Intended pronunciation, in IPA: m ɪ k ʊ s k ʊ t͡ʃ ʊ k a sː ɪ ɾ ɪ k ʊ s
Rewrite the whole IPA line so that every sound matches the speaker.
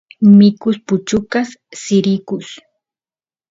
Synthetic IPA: m ɪ k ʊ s p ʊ t͡ʃ ʊ k a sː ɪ ɾ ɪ k ʊ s